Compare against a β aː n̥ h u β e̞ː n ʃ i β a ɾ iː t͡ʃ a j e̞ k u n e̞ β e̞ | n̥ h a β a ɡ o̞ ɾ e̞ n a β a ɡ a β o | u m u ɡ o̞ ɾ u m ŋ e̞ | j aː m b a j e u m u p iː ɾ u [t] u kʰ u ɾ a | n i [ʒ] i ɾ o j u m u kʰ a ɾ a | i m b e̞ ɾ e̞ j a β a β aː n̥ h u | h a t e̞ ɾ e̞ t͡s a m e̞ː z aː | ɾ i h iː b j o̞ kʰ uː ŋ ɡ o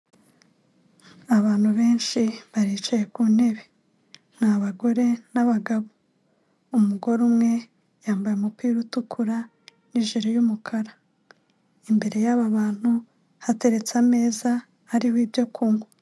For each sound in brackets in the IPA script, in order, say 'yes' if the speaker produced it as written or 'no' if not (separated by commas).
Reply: yes, yes